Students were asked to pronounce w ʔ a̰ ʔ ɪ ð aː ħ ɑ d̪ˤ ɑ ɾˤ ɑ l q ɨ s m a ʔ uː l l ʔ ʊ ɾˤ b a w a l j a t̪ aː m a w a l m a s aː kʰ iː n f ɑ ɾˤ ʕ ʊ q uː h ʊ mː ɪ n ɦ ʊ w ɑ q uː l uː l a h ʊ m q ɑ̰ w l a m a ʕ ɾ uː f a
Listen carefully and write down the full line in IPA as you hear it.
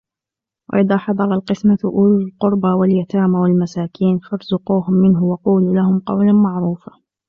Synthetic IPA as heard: w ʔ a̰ ʔ ɪ ð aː ħ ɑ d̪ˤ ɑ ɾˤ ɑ l q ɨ s m a ʔ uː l l q ʊ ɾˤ b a w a l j a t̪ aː m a w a l m a s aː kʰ iː n f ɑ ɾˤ z ʊ q uː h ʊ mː ɪ n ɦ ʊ w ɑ q uː l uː l a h ʊ m q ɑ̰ w l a m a ʕ ɾ uː f a